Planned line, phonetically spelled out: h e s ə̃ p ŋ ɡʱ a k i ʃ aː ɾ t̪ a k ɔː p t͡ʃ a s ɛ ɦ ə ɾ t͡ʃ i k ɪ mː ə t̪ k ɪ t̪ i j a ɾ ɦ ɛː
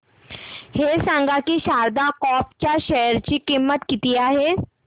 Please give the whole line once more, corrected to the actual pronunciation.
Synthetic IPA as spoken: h e s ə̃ ŋ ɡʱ a k i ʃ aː ɾ d̪ a k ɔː p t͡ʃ a ʃ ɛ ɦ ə ɾ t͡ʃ i k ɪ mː ə t̪ k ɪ t̪ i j a ɦ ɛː